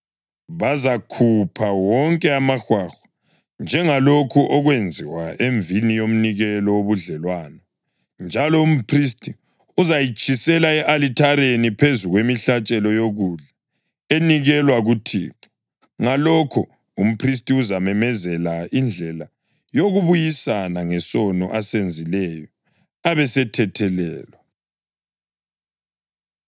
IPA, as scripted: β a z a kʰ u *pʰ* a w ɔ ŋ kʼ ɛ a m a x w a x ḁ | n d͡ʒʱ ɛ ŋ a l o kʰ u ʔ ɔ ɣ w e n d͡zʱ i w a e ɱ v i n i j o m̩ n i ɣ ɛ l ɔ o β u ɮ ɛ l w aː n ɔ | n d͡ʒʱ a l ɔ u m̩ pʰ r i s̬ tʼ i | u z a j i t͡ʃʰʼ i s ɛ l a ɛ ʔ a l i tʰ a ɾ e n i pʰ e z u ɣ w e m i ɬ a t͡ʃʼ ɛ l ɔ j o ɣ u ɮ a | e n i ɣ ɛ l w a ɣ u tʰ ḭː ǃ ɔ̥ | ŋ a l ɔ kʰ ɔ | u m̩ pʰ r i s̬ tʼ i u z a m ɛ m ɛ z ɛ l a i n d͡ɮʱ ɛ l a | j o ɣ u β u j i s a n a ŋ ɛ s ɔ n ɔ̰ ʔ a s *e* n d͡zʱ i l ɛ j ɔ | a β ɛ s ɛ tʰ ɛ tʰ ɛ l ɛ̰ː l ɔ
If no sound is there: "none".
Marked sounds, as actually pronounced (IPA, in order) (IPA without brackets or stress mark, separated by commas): pʰ, e